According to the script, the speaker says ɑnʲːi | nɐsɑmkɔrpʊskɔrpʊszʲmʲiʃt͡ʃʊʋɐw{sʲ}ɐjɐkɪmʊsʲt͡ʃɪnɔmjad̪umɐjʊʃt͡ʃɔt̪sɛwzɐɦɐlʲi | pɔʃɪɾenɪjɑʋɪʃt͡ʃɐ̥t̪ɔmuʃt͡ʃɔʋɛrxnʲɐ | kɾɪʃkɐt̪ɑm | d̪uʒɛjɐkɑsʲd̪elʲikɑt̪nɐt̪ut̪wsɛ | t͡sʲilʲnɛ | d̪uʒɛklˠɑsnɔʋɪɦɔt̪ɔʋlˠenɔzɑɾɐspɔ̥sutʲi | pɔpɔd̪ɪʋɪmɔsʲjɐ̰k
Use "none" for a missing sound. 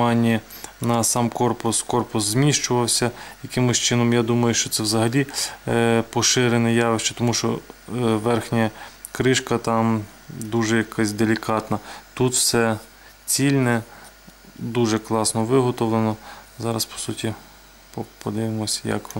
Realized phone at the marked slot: sʲ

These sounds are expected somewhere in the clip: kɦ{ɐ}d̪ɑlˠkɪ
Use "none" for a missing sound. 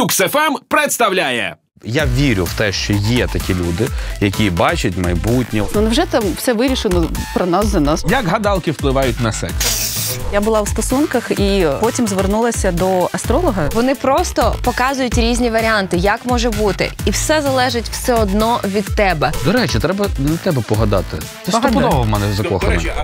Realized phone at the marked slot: ɐ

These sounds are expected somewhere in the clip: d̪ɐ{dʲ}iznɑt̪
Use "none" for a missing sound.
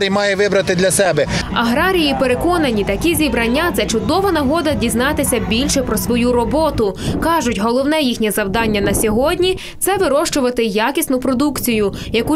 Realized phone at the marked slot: dʲ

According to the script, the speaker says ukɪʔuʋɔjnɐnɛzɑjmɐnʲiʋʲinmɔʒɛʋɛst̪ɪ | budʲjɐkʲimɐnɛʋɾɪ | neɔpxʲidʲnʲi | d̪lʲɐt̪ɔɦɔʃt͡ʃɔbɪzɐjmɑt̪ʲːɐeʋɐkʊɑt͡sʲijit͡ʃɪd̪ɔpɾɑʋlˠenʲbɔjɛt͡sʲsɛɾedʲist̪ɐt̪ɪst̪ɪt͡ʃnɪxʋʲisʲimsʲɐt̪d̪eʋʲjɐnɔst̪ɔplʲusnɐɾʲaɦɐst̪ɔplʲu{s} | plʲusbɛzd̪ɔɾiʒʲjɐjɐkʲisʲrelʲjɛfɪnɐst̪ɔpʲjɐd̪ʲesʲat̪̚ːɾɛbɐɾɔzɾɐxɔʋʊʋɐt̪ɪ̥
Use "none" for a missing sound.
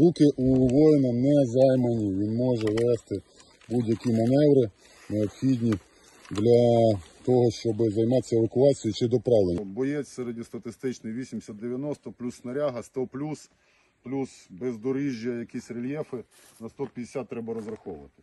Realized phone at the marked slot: s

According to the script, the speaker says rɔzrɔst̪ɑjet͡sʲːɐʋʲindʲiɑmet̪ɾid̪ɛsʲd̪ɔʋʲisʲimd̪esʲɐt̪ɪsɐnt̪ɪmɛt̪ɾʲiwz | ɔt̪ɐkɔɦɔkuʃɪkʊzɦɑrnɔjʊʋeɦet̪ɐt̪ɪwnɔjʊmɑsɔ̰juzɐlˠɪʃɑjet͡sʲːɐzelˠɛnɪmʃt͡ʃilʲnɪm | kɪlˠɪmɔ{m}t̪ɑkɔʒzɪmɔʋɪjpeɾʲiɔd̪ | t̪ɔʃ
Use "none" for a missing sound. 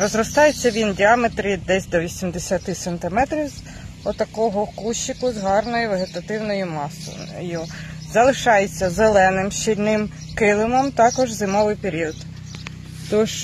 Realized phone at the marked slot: m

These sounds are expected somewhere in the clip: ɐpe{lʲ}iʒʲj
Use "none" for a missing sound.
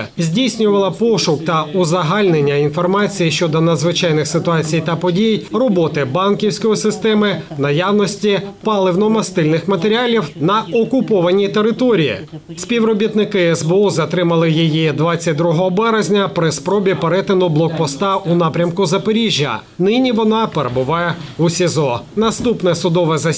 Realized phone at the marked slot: ɾʲ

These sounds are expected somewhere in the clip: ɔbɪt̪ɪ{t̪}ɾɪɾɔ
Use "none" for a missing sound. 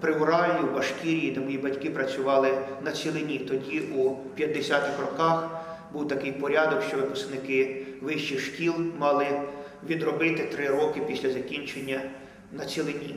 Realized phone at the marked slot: t̪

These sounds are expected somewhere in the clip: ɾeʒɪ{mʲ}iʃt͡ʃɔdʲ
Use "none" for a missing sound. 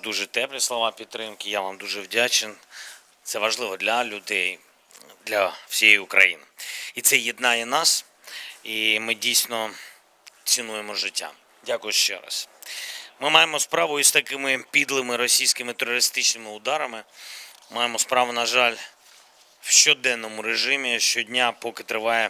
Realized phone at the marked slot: mʲ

